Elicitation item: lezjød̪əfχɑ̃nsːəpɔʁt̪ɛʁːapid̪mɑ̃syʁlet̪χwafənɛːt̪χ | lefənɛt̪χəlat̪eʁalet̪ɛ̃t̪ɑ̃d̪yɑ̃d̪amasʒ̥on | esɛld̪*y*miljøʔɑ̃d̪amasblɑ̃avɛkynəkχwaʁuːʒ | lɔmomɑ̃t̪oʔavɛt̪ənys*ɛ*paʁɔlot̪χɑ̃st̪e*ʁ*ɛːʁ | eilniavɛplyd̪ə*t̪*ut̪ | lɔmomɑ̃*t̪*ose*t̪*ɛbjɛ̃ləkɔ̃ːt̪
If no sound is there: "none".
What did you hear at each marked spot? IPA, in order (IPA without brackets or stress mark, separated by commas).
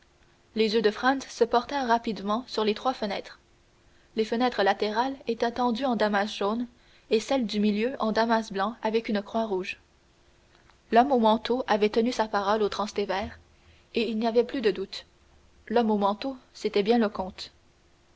y, a, v, d̪, t̪, t̪